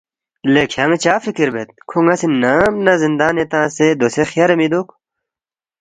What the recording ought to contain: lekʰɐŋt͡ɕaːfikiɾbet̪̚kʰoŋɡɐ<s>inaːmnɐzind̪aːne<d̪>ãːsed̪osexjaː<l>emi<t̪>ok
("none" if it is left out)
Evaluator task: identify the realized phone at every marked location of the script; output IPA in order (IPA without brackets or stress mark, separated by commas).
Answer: s, t̪, ɾ, d̪